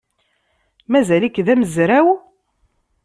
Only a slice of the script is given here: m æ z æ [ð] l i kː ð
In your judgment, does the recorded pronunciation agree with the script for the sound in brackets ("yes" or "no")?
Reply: no